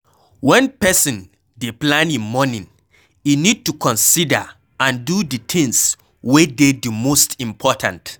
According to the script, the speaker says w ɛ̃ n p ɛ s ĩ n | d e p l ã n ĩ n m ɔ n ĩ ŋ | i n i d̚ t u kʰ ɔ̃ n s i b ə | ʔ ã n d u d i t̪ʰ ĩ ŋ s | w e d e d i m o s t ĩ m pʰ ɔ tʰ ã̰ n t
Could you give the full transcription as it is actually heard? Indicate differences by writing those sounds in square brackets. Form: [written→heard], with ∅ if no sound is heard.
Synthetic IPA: w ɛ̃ n p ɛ s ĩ n | d e p l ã n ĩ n m ɔ n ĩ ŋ | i n i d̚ t u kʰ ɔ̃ n s i [b→d] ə | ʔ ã n d u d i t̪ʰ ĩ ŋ s | w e d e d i m o s t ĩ m pʰ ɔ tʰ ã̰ n t